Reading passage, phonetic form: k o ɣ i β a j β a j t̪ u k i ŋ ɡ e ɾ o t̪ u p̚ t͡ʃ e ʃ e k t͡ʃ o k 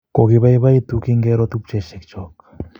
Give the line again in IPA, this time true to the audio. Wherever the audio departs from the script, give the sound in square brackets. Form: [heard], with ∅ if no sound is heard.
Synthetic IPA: k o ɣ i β a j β a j t̪ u k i ŋ ɡ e ɾ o t̪ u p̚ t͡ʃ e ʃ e k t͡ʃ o k